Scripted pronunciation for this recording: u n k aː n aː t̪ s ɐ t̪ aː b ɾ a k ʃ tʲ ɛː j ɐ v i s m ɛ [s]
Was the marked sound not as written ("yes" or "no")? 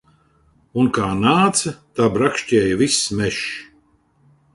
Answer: yes